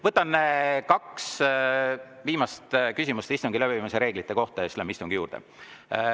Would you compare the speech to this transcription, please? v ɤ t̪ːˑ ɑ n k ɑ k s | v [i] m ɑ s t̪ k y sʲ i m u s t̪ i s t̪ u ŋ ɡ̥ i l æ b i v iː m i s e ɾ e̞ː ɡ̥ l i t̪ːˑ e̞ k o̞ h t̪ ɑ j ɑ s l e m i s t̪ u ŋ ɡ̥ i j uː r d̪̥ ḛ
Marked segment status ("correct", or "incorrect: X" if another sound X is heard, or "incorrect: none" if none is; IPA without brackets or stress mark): incorrect: iː